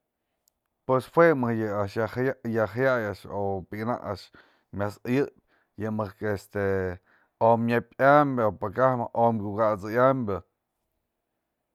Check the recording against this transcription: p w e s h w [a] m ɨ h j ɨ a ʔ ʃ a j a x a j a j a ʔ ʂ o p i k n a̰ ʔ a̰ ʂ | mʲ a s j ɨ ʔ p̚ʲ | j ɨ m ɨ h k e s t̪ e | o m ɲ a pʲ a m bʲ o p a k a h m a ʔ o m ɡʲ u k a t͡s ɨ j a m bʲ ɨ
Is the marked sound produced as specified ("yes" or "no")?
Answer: no